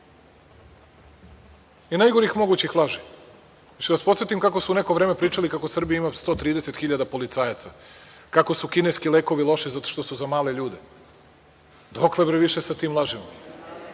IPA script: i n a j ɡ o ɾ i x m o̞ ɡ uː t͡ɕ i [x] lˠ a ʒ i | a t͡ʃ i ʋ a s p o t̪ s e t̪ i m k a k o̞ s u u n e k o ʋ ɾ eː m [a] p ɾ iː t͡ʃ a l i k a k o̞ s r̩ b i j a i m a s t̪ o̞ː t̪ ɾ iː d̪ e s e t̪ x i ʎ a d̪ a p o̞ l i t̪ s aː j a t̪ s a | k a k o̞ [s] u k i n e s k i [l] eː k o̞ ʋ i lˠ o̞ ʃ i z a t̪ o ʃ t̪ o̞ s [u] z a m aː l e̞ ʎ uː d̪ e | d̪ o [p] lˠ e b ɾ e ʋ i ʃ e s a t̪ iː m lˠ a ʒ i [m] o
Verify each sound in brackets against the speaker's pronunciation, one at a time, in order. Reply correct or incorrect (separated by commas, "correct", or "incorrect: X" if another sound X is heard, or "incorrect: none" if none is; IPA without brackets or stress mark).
correct, incorrect: e, correct, correct, correct, incorrect: k, correct